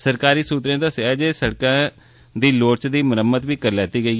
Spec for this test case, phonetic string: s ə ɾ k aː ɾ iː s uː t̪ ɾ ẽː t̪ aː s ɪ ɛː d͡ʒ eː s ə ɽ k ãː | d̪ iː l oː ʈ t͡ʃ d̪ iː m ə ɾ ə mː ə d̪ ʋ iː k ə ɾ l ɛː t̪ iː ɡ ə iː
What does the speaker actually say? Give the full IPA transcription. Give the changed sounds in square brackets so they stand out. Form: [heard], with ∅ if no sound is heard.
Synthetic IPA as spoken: s ə ɾ k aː ɾ iː s uː t̪ ɾ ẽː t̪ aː s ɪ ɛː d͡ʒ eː s ə ɽ k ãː | d̪ iː l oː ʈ t͡ʃ d̪ iː m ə ɾ ə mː ə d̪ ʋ iː k ə ɾ l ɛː t̪ iː ɡ ə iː